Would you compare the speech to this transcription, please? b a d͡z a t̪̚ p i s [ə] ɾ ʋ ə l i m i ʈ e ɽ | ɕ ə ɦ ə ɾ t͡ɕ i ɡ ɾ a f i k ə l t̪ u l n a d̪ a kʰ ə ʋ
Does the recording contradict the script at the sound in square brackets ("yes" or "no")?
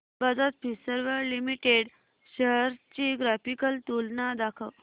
no